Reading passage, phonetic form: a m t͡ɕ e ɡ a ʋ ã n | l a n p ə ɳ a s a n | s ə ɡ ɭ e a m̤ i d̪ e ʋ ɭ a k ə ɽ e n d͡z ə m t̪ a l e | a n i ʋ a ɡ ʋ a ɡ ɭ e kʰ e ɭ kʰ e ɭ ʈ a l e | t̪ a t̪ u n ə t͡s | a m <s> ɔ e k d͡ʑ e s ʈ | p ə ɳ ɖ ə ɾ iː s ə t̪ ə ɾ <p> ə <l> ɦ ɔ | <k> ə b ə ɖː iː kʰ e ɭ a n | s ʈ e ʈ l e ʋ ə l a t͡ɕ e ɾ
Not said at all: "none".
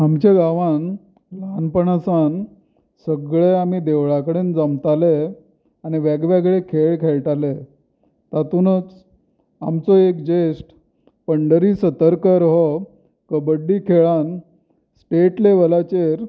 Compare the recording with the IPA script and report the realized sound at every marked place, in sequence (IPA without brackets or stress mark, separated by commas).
t͡s, k, ɾ, k